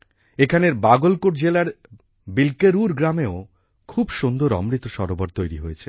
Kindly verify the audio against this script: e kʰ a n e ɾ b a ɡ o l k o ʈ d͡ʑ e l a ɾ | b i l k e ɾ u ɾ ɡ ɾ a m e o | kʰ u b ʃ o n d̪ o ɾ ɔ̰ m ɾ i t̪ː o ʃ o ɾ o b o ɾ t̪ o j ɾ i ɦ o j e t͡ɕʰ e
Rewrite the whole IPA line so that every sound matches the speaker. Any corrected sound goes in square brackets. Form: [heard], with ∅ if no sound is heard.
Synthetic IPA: e kʰ a n e ɾ b a ɡ o l k o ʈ d͡ʑ e l a ɾ | b i l k e ɾ u ɾ ɡ ɾ a m e o | kʰ u b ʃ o n d̪ o ɾ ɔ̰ m ɾ i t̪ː o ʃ [ɔ] ɾ o b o ɾ t̪ o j ɾ i ɦ o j e t͡ɕʰ e

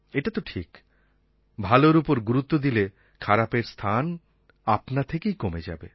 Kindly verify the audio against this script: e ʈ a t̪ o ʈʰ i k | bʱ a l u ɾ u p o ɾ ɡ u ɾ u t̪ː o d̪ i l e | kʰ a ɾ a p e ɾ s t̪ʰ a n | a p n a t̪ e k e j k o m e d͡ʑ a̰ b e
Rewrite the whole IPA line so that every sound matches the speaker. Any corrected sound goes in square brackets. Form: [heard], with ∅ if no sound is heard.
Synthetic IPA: e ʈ a t̪ o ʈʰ i k | bʱ a l [o] ɾ u p o ɾ ɡ u ɾ u t̪ː o d̪ i l e | kʰ a ɾ a p e ɾ s t̪ʰ a n | a p n a [t̪ʰ] e k e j k o m e d͡ʑ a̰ b e

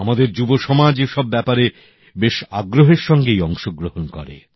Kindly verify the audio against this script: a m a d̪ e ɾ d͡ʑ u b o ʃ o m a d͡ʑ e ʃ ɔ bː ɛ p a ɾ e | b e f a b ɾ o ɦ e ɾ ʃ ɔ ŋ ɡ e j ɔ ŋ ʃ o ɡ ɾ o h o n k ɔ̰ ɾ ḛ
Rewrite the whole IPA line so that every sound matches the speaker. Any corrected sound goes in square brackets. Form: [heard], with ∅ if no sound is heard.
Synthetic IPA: a m a d̪ e ɾ d͡ʑ u b o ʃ [ɔ] m a d͡ʑ e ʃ ɔ bː ɛ p a ɾ e | b e [ʃ] a [ɡ] ɾ o ɦ e ɾ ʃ ɔ ŋ ɡ e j ɔ ŋ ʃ o ɡ ɾ o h o n k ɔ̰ ɾ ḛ

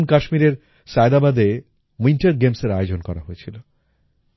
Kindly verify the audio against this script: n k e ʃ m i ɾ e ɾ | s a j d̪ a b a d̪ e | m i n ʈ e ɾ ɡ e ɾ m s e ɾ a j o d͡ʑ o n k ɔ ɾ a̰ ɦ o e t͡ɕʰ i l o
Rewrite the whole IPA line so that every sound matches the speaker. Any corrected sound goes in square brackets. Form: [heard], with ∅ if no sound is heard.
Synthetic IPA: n k [a] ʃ m i ɾ e ɾ | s a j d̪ a b a d̪ e | m i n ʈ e ɾ ɡ e [∅] m s e ɾ a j o d͡ʑ o n k ɔ ɾ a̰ ɦ o e t͡ɕʰ i l o

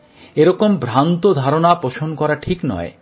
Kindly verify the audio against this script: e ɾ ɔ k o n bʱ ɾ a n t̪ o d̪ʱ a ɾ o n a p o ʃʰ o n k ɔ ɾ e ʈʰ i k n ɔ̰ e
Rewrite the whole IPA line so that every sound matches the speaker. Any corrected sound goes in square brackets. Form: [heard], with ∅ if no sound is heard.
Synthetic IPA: e ɾ ɔ k o [m] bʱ ɾ a n t̪ o d̪ʱ a ɾ o n a p o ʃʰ o n k ɔ ɾ [a] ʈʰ i k n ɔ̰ e

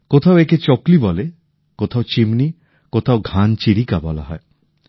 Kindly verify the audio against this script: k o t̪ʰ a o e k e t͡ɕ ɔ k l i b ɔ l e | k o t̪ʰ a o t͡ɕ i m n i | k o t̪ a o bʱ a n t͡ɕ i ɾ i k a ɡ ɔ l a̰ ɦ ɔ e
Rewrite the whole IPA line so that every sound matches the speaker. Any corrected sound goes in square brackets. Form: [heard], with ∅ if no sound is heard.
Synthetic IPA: k o t̪ʰ a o e k e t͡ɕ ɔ k l i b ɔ l e | k o t̪ʰ a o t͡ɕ i m n i | k o [t̪ʰ] a o [ɡʱ] a n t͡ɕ i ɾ i k a [b] ɔ l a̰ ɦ ɔ e

